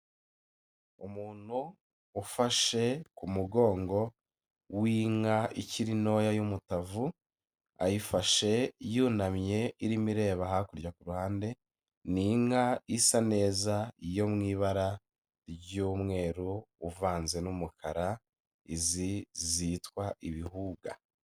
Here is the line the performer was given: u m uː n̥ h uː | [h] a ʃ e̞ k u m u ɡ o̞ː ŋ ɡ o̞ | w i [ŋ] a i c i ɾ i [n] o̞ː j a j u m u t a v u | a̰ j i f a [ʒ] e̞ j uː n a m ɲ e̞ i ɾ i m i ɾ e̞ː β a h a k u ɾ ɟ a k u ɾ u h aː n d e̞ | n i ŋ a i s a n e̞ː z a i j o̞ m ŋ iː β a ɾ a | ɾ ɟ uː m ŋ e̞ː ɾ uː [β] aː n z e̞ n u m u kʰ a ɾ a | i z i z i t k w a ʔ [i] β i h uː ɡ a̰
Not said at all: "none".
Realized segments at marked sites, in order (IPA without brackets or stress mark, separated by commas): f, ŋ, n, ʃ, v, i